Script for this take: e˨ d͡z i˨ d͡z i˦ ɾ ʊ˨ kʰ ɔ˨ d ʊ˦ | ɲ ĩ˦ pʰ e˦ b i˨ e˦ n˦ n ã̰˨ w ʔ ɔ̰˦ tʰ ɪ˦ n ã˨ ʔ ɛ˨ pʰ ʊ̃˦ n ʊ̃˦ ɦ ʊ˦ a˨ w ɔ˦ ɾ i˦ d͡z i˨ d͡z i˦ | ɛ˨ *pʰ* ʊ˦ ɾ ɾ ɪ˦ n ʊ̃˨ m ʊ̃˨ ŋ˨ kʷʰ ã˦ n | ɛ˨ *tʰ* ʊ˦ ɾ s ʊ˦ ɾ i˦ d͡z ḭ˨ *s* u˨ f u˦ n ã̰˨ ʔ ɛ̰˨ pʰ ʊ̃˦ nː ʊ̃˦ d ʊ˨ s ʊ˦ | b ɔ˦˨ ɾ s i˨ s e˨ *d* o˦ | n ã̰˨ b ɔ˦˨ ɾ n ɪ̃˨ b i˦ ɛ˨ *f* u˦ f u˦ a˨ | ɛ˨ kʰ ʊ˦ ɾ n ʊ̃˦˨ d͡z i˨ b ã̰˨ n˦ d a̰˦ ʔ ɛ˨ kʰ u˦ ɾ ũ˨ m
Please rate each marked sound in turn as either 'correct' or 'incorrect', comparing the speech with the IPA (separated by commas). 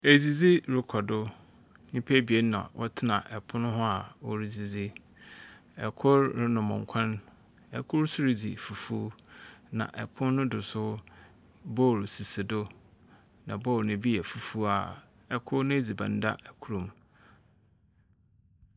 incorrect, incorrect, incorrect, correct, correct